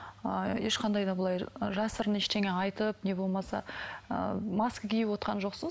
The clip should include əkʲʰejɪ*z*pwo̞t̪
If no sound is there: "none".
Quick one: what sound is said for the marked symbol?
none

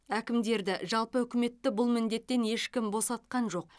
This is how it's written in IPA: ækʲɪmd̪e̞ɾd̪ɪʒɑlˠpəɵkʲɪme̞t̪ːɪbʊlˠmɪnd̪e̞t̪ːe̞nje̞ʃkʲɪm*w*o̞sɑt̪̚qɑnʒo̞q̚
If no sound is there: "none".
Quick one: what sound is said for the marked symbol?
b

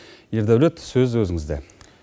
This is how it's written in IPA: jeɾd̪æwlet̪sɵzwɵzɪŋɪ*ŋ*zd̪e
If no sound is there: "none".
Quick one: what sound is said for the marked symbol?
none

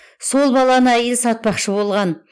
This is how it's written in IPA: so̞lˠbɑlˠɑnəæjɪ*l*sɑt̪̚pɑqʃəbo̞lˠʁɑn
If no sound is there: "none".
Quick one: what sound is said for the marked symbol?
l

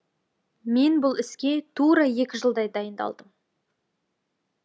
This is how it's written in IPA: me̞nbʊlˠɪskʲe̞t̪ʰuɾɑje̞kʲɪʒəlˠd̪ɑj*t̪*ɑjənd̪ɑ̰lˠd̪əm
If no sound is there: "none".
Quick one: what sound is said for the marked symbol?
d̪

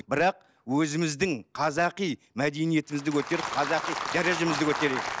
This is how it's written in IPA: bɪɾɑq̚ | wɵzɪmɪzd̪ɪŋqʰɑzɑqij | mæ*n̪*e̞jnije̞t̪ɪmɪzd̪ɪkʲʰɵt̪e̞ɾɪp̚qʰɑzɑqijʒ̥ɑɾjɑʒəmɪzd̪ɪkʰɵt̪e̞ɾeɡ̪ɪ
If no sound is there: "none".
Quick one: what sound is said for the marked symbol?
d̪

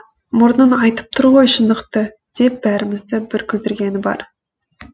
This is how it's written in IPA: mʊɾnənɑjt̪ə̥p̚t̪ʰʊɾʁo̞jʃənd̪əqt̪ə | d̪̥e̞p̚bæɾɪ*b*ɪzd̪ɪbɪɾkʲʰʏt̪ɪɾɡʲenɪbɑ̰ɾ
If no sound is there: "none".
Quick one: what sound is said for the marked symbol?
m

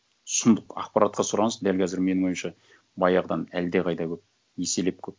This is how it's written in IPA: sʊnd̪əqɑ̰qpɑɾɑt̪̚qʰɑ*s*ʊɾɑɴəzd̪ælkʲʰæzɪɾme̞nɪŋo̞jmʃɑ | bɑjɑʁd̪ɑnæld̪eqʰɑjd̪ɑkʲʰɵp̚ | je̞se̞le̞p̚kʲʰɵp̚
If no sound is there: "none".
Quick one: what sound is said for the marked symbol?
s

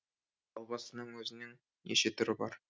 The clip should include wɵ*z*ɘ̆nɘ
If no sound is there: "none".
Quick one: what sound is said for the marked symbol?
z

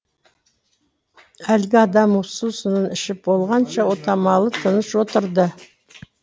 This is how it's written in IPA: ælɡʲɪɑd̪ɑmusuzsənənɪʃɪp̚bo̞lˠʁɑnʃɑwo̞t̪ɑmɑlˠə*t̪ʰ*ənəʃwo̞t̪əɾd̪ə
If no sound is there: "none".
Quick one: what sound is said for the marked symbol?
t̪ʰ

